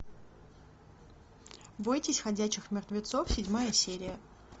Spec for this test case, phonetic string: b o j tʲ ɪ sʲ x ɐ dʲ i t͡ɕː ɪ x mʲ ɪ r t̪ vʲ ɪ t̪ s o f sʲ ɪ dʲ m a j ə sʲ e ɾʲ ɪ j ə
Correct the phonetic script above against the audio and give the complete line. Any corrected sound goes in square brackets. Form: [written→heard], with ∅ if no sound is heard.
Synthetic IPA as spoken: b o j tʲ ɪ sʲ x ɐ dʲ [i→æ] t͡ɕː ɪ x mʲ ɪ r t̪ vʲ ɪ t̪ s o f sʲ ɪ dʲ m a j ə sʲ e ɾʲ ɪ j ə